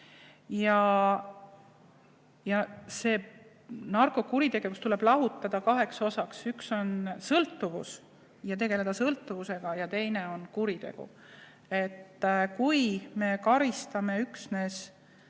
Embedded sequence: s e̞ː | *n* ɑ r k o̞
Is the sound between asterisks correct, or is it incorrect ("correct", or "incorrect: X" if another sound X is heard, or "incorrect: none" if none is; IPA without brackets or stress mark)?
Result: correct